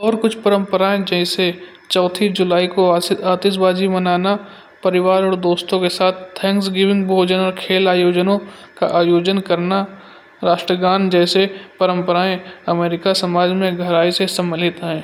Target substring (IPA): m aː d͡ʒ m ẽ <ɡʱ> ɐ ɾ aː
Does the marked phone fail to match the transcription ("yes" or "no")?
no